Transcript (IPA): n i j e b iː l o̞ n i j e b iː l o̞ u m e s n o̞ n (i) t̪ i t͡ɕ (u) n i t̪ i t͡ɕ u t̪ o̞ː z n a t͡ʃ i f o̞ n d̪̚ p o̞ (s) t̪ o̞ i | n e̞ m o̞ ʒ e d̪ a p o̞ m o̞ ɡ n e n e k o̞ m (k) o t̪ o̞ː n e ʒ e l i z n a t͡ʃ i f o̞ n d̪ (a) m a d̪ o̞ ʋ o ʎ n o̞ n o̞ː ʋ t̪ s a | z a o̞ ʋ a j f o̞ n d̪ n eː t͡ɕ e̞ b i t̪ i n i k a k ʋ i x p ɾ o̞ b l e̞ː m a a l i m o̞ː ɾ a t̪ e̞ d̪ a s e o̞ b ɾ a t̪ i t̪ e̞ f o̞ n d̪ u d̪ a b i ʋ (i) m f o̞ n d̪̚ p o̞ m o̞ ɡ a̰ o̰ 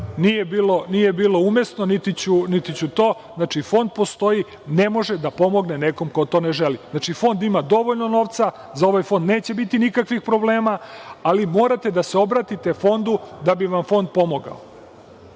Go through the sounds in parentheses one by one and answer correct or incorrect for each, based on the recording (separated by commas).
correct, correct, correct, correct, incorrect, incorrect